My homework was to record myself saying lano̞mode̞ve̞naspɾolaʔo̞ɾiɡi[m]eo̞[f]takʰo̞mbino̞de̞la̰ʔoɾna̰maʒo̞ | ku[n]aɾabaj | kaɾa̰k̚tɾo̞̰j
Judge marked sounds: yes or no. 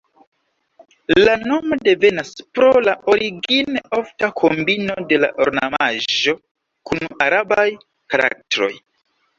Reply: no, yes, yes

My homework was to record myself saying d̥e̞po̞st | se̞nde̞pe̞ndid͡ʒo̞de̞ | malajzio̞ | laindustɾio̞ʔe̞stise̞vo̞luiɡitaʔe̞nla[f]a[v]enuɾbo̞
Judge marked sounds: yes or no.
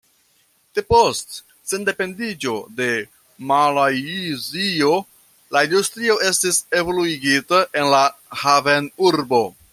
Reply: no, yes

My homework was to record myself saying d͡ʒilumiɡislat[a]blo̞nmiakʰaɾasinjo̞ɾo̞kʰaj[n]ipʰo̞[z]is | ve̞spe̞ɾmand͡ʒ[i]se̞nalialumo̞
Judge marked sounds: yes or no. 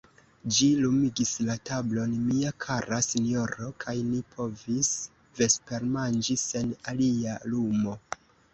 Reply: yes, yes, no, yes

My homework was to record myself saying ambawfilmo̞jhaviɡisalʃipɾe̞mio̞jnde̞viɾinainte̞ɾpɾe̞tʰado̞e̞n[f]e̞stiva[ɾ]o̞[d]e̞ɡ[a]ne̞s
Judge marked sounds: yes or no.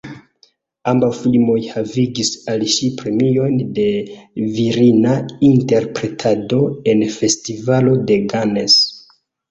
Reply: yes, no, yes, yes

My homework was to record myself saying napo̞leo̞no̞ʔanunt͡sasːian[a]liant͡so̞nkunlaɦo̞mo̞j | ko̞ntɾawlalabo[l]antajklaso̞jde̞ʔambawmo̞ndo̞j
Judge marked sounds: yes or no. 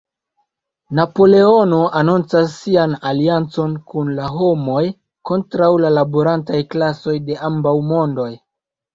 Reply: yes, no

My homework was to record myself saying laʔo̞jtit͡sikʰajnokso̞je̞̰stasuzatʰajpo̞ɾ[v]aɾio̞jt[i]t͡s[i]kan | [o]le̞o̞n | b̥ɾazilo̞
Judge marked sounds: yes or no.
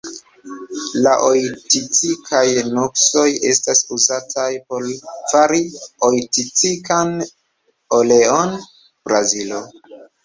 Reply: no, yes, yes, yes

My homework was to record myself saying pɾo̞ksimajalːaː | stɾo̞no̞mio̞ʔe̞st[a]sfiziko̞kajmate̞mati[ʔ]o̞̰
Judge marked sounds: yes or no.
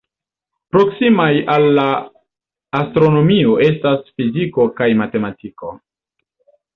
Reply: yes, no

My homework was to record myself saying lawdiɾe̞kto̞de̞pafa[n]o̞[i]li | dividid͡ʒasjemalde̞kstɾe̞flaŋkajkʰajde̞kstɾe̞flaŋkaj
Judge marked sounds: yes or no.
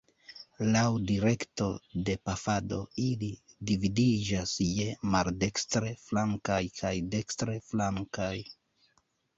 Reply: no, yes

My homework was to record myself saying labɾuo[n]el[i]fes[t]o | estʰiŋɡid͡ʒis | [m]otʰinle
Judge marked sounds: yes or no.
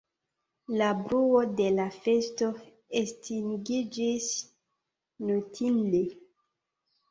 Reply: no, no, yes, no

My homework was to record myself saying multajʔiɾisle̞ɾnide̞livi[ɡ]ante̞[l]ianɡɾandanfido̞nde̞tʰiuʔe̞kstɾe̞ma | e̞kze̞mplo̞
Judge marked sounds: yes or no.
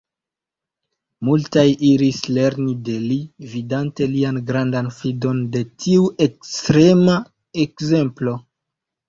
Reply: no, yes

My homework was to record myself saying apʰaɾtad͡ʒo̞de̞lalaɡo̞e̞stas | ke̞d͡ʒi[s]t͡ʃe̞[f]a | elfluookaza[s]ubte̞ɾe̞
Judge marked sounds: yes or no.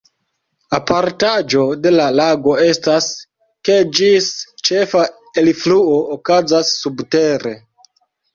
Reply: yes, yes, no

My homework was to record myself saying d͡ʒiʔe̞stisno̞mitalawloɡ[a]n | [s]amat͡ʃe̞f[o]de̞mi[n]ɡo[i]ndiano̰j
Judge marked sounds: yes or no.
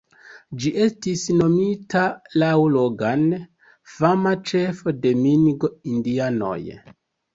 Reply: yes, no, yes, yes, yes

